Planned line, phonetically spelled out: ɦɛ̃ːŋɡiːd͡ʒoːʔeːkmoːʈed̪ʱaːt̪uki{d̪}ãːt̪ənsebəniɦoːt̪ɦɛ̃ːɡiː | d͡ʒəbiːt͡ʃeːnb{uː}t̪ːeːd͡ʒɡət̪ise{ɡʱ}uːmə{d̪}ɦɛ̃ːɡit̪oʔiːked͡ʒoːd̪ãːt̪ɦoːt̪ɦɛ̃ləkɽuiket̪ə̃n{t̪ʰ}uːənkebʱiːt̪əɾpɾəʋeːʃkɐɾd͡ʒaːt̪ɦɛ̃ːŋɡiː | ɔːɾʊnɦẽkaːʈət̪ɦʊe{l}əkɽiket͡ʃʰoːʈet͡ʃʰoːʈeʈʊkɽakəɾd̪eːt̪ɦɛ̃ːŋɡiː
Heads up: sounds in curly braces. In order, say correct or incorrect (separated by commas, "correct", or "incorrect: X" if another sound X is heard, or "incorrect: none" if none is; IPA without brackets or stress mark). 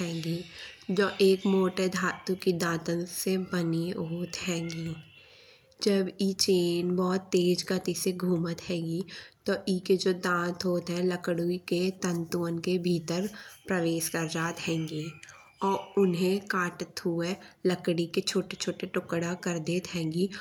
correct, incorrect: ɔː, correct, incorrect: t̪, incorrect: t̪, correct